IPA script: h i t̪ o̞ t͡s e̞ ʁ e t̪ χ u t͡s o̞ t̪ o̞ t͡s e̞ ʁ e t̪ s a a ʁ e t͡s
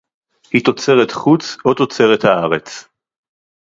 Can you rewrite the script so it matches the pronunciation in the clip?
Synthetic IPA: h i t̪ o̞ t͡s e̞ ʁ e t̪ χ u t͡s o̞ t̪ o̞ t͡s e̞ ʁ e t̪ h a a ʁ e t͡s

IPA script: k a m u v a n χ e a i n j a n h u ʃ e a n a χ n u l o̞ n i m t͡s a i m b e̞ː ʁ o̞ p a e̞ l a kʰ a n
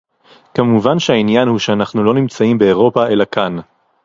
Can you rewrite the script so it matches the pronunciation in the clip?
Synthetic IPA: k a m u v a n ʃ e a i n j a n h u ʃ e a n a χ n u l o̞ n i m t͡s a i m b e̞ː ʁ o̞ p a e̞ l a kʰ a n

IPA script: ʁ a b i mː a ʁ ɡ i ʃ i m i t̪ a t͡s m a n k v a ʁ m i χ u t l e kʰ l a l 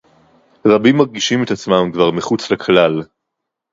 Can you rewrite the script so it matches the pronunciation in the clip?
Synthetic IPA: ʁ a b i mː a ʁ ɡ i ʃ i m e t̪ a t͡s m a m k v a ʁ m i χ u t͡s l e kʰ l a l

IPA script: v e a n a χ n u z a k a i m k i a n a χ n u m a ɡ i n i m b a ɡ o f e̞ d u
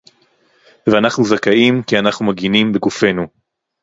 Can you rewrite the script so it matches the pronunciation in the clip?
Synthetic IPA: v e a n a χ n u z a k a i m k i a n a χ n u m a ɡ i n i m b e ɡ u f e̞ n u

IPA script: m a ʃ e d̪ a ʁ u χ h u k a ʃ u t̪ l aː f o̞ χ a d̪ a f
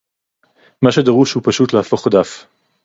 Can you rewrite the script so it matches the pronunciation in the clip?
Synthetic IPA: m a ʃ e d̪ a ʁ u ʃ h u p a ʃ u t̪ l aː f o̞ χ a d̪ a f

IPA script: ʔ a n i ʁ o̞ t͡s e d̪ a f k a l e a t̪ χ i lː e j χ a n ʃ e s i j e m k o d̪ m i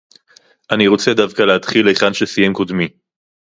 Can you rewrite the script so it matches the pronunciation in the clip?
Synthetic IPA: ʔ a n i ʁ o̞ t͡s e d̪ a v k a l e a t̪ χ i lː e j χ a n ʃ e s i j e m k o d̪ m i

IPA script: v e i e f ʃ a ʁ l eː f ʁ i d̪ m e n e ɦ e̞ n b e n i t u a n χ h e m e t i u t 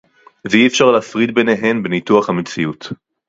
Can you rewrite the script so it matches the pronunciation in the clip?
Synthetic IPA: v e i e f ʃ a ʁ l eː f ʁ i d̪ b e n e ɦ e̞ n b e n i t u a χ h a m e t͡s i u t

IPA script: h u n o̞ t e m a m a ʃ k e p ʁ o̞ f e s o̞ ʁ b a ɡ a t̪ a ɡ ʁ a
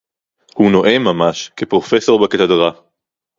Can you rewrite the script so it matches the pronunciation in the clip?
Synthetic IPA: h u n o̞ ʔ e m a m a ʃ k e p ʁ o̞ f e s o̞ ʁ b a k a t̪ a d ʁ a

